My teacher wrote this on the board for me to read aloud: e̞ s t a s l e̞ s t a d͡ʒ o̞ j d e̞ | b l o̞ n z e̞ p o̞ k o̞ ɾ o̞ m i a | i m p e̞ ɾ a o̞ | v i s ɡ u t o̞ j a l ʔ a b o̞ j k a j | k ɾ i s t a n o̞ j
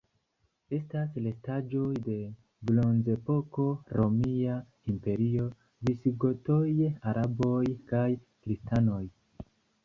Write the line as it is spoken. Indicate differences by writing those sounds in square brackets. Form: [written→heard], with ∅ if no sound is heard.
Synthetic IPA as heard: e̞ s t a s l e̞ s t a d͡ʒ o̞ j d e̞ | b l o̞ n z e̞ p o̞ k o̞ ɾ o̞ m i a | i m p e̞ ɾ [a→i] o̞ | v i s ɡ [u→o] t o̞ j a [l→ɾ] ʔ a b o̞ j k a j | k ɾ i s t a n o̞ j